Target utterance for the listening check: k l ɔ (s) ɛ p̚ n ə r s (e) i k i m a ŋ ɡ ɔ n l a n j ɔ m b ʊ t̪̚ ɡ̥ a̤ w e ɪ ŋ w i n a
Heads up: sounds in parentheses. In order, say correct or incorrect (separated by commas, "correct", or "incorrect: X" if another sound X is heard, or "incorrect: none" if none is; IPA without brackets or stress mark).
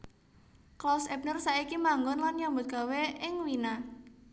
correct, incorrect: a